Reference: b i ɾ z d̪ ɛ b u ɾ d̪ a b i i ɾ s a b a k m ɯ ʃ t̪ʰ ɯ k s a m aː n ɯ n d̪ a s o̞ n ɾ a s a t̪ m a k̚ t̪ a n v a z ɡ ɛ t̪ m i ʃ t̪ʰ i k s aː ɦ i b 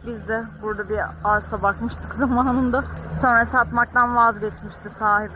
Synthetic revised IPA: b i z d̪ ɛ b u ɾ d̪ a b i a ɾ s a b a k m ɯ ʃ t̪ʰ ɯ k z a m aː n ɯ n d̪ a s o̞ n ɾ a s a t̪ m a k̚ t̪ a n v a z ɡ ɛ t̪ m i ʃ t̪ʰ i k s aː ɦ i b